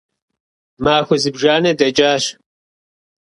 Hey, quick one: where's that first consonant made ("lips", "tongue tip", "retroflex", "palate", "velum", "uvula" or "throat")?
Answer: lips